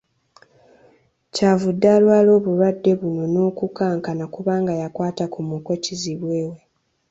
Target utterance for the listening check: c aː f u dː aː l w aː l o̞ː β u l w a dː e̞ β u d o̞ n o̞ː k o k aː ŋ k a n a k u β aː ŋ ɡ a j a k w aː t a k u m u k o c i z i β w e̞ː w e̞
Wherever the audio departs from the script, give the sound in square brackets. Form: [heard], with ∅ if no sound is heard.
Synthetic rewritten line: c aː [v] u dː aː l w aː l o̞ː β u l w a dː e̞ β u [n] o̞ n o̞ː k [u] k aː ŋ k a n a k u β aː ŋ ɡ a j a k w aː t a k u m u k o c i z i β w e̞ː w e̞

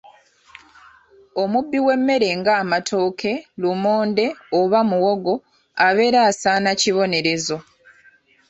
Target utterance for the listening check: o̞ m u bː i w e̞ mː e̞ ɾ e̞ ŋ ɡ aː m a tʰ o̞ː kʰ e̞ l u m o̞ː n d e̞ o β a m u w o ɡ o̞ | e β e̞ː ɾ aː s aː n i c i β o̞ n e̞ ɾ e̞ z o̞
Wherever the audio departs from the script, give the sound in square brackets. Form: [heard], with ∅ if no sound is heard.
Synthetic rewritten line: o̞ m u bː i w e̞ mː e̞ ɾ e̞ ŋ ɡ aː m a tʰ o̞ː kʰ e̞ l u m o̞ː n d e̞ o β a m u w o ɡ o̞ | [a] β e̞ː ɾ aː s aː n [a] c i β o̞ n e̞ ɾ e̞ z o̞

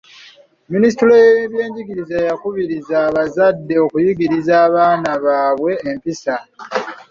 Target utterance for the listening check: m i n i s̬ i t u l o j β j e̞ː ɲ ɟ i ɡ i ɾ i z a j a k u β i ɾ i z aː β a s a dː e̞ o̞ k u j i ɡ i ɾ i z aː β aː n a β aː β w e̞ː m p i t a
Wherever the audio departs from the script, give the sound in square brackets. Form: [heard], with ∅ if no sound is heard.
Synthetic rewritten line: m i n i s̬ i t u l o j β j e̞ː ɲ ɟ i ɡ i ɾ i z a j a k u β i ɾ i z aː β a [z] a dː e̞ o̞ k u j i ɡ i ɾ i z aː β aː n a β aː β w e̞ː m p i [s] a

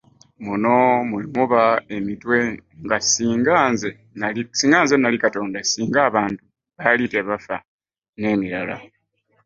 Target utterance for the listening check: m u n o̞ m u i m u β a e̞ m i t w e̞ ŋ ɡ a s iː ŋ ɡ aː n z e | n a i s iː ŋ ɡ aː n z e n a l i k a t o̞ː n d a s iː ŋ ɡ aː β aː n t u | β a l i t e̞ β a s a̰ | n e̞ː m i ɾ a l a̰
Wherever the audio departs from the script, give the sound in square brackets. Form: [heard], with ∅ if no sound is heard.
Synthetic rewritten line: m u n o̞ m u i m u β a e̞ m i t w e̞ ŋ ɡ a s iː ŋ ɡ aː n z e | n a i s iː ŋ ɡ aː n z e n a l i k a t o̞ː n d a s iː ŋ ɡ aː β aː n t u | β a l i t e̞ β a [f] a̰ | n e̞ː m i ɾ a l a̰

